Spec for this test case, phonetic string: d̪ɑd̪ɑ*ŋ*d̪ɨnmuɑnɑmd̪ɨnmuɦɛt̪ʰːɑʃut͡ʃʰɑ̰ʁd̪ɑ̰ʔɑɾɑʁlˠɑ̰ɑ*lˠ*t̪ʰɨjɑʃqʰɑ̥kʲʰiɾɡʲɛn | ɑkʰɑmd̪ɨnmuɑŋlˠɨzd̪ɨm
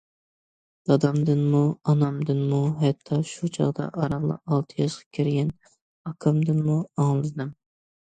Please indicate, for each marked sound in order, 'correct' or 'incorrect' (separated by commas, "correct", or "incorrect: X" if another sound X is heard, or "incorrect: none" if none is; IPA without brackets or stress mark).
incorrect: m, correct